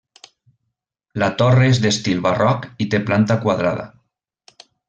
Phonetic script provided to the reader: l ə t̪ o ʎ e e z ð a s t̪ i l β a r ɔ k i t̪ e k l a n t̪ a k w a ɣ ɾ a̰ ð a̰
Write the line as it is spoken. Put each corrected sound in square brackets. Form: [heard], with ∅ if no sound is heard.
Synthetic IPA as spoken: l [a] t̪ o [r] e e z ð [e] s t̪ i l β a r ɔ k i t̪ e [p] l a n t̪ a k w a [ð] ɾ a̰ ð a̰